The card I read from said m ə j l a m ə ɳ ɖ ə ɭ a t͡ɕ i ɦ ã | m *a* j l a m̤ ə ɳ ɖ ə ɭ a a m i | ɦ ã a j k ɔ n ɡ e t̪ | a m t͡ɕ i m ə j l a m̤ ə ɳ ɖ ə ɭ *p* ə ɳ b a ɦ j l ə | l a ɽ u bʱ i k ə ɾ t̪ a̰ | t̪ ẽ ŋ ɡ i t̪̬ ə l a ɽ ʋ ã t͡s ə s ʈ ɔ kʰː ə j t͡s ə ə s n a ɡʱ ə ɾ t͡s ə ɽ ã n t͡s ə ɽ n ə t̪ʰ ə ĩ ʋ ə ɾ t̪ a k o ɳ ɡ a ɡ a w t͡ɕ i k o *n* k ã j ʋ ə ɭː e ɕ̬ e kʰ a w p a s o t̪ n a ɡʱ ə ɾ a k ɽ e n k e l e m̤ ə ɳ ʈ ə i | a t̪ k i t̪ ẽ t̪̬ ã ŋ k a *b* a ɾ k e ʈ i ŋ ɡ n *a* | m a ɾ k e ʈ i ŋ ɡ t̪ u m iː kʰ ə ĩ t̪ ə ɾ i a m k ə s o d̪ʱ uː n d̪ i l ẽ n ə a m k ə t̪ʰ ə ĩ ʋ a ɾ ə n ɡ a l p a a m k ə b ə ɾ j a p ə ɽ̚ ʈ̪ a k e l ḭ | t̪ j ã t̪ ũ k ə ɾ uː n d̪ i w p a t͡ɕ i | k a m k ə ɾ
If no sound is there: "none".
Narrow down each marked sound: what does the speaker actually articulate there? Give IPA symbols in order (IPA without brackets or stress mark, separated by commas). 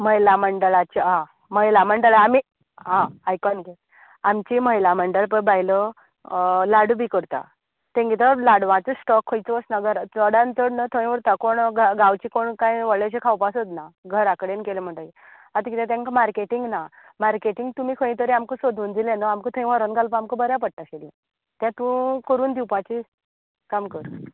ə, p, ɳ, m, a